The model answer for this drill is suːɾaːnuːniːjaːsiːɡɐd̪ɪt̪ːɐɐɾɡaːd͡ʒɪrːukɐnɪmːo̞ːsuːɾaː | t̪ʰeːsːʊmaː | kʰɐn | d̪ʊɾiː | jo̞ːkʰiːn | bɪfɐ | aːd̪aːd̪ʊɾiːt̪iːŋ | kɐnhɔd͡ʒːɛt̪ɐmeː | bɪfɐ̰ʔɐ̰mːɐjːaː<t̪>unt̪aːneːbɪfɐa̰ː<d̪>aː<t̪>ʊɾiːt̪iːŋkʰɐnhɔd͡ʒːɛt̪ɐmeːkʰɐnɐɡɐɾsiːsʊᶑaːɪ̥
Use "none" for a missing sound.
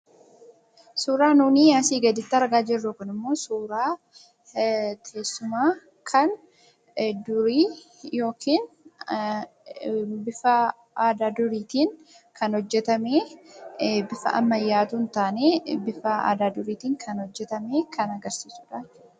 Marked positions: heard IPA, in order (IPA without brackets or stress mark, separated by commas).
t̪, d̪, d̪